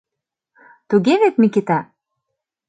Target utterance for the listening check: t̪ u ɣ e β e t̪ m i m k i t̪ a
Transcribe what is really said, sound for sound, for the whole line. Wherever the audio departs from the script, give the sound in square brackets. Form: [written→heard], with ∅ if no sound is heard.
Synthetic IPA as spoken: t̪ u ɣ e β e t̪ m i [m→∅] k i t̪ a